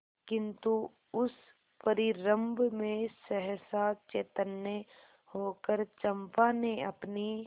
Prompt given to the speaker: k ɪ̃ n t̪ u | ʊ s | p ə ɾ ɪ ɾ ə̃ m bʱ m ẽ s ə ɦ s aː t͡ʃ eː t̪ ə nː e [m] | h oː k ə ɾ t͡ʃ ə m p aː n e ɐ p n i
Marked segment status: incorrect: none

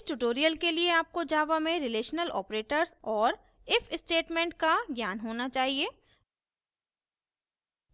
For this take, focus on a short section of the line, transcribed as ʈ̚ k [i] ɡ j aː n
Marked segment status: incorrect: a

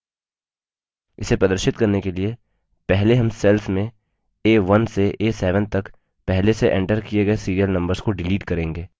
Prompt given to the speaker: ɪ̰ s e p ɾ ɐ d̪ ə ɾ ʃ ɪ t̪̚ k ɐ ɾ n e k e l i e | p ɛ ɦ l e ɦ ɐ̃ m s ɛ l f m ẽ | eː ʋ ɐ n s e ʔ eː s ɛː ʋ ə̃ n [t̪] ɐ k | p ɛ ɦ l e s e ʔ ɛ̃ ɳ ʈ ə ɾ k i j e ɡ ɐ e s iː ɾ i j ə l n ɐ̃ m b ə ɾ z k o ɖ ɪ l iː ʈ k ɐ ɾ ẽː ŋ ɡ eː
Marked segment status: correct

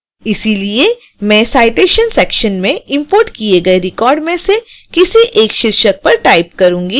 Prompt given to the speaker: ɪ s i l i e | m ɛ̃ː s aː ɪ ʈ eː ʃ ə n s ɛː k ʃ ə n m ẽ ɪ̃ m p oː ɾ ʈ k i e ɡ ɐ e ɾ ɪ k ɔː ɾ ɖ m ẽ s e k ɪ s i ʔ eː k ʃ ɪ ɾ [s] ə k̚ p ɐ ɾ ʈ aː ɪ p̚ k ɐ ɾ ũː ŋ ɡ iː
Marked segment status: incorrect: ʃ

